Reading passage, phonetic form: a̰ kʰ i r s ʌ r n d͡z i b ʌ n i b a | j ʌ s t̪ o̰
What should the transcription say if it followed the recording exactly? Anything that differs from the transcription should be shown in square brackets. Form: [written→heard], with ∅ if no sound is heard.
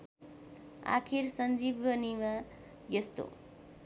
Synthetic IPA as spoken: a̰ kʰ i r s ʌ [r→∅] n d͡z i b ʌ n i [b→m] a | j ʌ s t̪ o̰